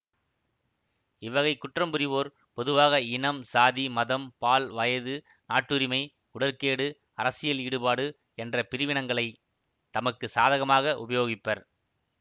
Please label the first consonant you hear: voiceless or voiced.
voiced